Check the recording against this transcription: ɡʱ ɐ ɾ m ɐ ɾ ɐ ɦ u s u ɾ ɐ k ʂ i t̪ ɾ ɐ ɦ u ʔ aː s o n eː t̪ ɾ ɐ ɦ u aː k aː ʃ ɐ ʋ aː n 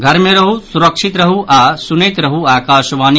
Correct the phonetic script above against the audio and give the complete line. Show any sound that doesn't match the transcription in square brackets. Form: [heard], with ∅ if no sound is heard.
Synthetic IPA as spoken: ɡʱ ɐ ɾ m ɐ ɾ ɐ ɦ u s u ɾ ɐ k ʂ i t̪ ɾ ɐ ɦ u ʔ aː s [u] n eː t̪ ɾ ɐ ɦ u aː k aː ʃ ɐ ʋ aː n